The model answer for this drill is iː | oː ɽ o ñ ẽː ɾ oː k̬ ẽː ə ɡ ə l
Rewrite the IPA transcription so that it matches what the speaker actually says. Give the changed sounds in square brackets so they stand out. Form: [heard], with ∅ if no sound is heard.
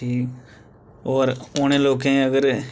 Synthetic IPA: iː | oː [ɾ] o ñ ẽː [l] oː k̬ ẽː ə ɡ ə [ɾ]